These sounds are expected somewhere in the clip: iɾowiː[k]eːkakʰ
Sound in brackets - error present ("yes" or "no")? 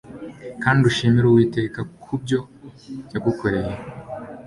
yes